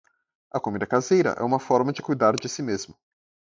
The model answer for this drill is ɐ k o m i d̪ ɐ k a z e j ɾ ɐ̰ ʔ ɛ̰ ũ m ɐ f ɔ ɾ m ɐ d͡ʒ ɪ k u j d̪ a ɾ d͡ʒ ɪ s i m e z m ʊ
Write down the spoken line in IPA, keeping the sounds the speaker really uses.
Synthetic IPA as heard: ɐ k o m i d̪ ɐ k a z e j ɾ ɐ̰ ʔ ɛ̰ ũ m ɐ f ɔ ɾ m ɐ d͡ʒ ɪ k u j d̪ a ɾ d͡ʒ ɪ s i m e z m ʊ